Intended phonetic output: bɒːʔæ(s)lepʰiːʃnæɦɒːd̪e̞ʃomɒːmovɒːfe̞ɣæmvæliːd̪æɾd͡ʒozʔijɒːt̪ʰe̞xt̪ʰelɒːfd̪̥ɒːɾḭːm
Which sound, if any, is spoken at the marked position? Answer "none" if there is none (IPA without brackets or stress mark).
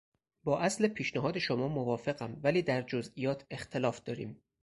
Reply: s